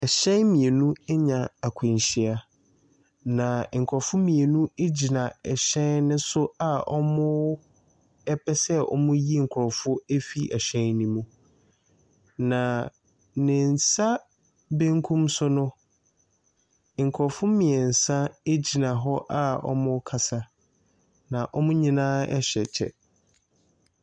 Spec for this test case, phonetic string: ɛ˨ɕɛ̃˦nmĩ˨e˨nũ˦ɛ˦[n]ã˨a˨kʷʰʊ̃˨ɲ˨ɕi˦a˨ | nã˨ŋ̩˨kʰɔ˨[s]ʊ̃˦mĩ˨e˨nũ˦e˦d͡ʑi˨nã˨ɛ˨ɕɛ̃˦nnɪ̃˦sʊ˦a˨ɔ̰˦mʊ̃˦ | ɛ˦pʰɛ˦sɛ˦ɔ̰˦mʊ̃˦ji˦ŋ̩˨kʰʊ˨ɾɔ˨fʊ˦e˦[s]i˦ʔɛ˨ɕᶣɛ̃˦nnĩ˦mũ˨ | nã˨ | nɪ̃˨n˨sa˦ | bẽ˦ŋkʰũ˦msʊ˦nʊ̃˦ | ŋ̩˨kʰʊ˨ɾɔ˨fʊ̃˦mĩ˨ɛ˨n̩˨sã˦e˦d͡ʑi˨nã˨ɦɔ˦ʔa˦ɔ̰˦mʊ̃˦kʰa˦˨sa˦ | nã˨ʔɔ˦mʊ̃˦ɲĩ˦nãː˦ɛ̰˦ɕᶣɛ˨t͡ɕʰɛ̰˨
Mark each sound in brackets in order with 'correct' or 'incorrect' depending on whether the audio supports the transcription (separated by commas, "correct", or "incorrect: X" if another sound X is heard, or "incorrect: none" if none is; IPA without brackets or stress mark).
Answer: incorrect: ɲ, incorrect: f, incorrect: f